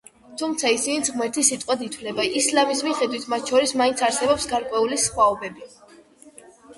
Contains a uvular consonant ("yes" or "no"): yes